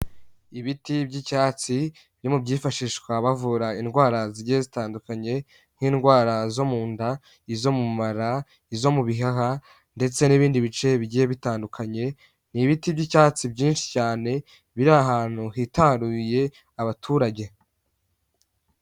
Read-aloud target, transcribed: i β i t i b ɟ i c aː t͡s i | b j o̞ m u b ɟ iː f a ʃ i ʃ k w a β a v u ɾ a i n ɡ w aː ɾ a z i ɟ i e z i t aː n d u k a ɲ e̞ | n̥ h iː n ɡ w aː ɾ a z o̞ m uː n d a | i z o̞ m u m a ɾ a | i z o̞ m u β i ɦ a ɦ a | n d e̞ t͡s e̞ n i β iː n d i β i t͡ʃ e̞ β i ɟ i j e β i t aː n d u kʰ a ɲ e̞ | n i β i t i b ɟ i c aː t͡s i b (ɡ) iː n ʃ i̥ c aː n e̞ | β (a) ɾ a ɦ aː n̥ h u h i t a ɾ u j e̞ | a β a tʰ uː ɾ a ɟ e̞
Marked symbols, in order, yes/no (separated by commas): no, no